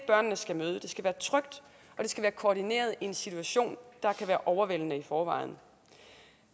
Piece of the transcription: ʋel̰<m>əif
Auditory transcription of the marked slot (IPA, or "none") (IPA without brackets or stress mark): n